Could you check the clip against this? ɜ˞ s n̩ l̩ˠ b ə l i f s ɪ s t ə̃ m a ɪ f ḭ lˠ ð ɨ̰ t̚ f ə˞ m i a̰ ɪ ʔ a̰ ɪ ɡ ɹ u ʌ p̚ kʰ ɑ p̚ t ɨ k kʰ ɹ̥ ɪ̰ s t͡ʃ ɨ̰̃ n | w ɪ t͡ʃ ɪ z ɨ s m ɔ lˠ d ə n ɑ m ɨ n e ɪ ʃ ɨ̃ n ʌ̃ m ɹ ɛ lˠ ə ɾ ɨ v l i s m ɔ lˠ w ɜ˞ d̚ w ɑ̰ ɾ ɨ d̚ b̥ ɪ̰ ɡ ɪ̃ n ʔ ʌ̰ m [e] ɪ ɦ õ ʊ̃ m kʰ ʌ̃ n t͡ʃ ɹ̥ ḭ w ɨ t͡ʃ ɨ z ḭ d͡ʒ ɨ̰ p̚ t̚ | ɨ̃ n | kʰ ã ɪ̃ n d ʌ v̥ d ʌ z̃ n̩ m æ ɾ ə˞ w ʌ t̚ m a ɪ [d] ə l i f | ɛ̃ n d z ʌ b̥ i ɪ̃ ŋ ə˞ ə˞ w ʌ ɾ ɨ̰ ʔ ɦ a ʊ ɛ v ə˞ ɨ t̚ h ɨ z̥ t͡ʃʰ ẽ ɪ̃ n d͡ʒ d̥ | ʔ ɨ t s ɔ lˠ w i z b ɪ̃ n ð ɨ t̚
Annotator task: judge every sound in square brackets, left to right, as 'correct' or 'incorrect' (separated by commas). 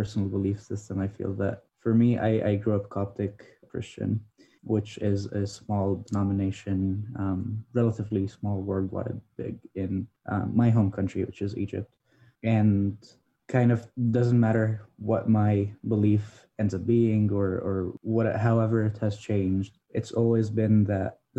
incorrect, incorrect